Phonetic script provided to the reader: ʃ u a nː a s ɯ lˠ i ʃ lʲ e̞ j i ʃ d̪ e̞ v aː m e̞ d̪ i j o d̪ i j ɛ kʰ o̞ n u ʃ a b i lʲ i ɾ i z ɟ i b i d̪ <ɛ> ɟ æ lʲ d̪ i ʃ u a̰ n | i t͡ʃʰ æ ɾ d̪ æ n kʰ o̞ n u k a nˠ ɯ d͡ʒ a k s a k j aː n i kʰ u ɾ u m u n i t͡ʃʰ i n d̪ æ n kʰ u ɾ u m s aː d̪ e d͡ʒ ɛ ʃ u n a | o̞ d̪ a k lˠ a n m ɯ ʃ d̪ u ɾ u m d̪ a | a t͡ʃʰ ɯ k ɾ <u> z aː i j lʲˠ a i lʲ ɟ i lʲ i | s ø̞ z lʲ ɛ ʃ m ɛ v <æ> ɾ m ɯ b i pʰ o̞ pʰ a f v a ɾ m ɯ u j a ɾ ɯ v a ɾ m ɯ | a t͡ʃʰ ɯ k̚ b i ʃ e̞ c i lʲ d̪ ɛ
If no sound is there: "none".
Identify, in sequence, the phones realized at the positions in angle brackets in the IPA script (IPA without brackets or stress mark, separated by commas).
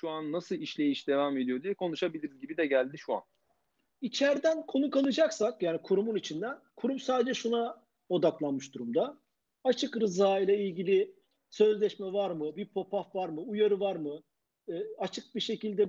ɛ, ɯ, a